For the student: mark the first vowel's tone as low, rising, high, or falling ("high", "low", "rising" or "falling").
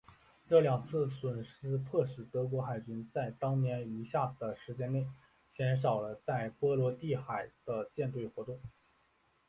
falling